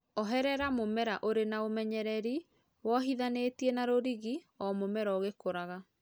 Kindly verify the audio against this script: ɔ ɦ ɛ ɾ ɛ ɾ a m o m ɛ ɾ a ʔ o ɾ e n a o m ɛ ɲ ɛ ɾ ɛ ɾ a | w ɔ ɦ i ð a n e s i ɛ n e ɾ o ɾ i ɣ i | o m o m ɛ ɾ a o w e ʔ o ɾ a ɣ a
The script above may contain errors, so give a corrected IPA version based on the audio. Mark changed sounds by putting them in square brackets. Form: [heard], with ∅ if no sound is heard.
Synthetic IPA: ɔ ɦ ɛ ɾ ɛ ɾ a m o m ɛ ɾ a ʔ o ɾ e n a o m ɛ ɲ ɛ ɾ ɛ ɾ [i] | w ɔ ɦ i ð a n e [t] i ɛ n [a] ɾ o ɾ i ɣ i | [ɔ] m o m ɛ ɾ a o [ɣ] e [k] o ɾ a ɣ a

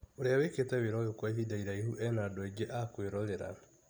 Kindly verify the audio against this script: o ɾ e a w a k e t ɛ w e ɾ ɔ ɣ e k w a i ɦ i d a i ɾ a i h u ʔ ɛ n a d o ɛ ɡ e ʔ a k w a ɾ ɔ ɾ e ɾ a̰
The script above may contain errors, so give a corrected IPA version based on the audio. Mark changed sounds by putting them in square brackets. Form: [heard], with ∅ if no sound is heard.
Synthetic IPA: o ɾ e a w [e] k e t ɛ w e ɾ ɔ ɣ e k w a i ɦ i d a i ɾ a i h u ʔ ɛ n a d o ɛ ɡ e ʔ a k w [e] ɾ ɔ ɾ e ɾ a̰

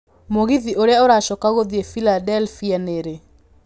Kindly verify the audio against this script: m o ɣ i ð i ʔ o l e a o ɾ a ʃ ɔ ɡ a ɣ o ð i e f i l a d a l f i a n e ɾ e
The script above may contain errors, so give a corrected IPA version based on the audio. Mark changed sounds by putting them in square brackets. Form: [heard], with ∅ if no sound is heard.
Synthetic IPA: m o ɣ i ð i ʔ o [ɾ] e a o ɾ a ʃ ɔ [k] a ɣ o ð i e f i l a d [ɛ] l f i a n e ɾ e

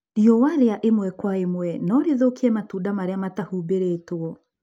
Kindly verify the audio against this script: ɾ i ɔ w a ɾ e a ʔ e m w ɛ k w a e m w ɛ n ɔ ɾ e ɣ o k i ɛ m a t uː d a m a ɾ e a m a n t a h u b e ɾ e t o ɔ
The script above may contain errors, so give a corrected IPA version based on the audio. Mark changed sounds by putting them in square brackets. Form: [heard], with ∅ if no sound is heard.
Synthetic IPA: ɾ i ɔ w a ɾ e a ʔ e m w ɛ k w a e m w ɛ n ɔ ɾ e [ð] o k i ɛ m a t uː d a m a ɾ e a m a [∅] t a h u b e ɾ e t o ɔ

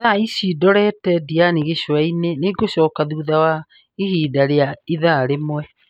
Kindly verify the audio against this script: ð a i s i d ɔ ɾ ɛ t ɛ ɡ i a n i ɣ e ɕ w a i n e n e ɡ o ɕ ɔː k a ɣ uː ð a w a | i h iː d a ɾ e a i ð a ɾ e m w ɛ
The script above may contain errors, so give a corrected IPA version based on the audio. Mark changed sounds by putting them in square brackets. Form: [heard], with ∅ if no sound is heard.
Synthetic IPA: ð a i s i d ɔ ɾ ɛ t ɛ [d] i a n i ɣ e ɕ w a i n e n e ɡ o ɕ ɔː k a [ð] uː ð a w a | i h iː d a ɾ e a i ð a ɾ e m w ɛ

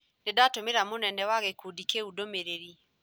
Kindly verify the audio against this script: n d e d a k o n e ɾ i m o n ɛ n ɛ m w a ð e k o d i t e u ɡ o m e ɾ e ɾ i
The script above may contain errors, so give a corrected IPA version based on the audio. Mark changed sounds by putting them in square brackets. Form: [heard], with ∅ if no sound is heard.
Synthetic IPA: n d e d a [t] o [m] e ɾ [a] m o n ɛ n ɛ [∅] w a [ɣ] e k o d i [k] e u [d] o m e ɾ e ɾ i

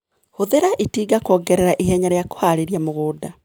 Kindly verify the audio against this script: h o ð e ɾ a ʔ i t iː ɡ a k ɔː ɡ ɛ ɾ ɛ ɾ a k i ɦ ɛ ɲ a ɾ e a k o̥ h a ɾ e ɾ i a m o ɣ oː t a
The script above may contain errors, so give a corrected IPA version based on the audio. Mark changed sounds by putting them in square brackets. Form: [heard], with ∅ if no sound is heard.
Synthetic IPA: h o ð e ɾ a ʔ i t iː ɡ a k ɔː ɡ ɛ ɾ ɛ ɾ a [ʔ] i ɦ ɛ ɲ a ɾ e a k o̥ h a ɾ e ɾ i a m o ɣ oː [d] a

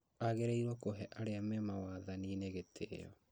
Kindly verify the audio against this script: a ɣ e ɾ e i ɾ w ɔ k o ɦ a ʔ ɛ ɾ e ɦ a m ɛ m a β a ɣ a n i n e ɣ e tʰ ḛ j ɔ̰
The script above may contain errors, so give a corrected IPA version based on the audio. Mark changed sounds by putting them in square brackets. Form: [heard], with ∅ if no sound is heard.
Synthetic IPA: a ɣ e ɾ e i ɾ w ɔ k o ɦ [ɛ] ʔ [a] ɾ e [∅] a m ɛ m a [w] a [ð] a n i n e ɣ e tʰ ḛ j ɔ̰

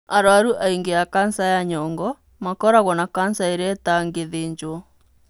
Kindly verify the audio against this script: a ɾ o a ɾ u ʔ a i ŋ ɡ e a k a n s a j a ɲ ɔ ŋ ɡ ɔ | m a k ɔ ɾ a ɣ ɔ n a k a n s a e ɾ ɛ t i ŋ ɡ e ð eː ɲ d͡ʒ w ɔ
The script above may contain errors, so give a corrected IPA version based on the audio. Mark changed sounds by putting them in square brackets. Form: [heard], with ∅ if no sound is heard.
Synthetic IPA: a ɾ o a ɾ u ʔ a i ŋ ɡ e a k a n s a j a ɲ ɔ ŋ ɡ ɔ | m a k ɔ ɾ a ɣ ɔ n a k a n s a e ɾ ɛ t [a] ŋ ɡ e ð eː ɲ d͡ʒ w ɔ

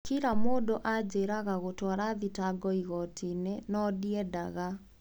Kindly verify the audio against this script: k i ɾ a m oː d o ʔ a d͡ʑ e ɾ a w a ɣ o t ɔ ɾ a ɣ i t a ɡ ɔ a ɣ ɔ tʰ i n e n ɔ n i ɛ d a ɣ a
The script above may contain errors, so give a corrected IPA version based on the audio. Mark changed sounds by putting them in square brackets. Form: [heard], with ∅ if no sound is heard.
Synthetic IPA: k i ɾ a m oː d o ʔ a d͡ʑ e ɾ a [ɣ] a ɣ o t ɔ ɾ a [ð] i t a ɡ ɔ [i] ɣ ɔ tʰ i n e n ɔ [d] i ɛ d a ɣ a

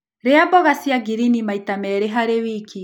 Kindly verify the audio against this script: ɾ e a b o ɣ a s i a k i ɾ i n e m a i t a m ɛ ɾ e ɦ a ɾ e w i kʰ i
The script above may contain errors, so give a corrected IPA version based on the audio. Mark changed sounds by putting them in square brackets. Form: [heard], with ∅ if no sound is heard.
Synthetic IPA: ɾ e a b [ɔ] ɣ a s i a [ɡ] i ɾ i n [i] m a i t a m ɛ ɾ e ɦ a ɾ e w i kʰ i

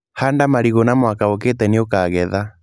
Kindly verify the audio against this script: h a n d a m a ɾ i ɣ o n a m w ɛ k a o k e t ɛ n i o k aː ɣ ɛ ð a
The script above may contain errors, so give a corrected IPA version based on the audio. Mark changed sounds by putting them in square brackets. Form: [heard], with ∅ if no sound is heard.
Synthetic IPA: h a n d a m a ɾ i ɣ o n a m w [a] k a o k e t ɛ n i o k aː ɣ ɛ ð a

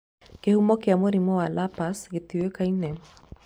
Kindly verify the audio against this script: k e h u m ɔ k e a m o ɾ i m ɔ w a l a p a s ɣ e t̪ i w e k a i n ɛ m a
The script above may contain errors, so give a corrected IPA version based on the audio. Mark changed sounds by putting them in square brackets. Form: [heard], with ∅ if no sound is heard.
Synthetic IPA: k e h u m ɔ k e a m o ɾ i m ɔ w a l a p a s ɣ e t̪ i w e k a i n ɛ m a

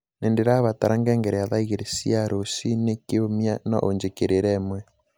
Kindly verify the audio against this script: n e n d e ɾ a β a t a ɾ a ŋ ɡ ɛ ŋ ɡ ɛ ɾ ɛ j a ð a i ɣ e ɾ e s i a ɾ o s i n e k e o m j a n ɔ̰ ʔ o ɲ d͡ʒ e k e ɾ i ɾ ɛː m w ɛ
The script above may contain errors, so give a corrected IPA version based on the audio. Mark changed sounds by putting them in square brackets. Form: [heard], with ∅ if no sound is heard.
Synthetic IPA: n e n d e ɾ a β a t a ɾ a ŋ ɡ ɛ ŋ ɡ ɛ ɾ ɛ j a ð a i ɣ e ɾ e s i a ɾ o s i n e k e o m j a n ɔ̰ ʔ o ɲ d͡ʒ e k e ɾ [e] ɾ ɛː m w ɛ

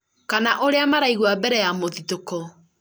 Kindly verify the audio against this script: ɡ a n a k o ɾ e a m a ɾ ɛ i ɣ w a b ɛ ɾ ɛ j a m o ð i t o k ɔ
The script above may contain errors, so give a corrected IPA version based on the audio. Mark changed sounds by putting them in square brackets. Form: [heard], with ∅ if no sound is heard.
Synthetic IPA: [k] a n a [ʔ] o ɾ e a m a ɾ [a] i ɣ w a b ɛ ɾ ɛ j a m o ð i t o k ɔ

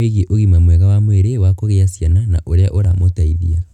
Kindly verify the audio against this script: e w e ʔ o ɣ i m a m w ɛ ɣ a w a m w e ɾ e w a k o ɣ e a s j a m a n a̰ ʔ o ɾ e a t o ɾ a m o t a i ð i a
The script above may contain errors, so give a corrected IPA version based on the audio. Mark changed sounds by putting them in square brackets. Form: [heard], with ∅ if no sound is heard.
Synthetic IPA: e [ɣ] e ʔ o ɣ i m a m w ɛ ɣ a w a m w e ɾ e w a k o ɣ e a s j a [n] a n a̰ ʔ o ɾ e a [ʔ] o ɾ a m o t a i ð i a

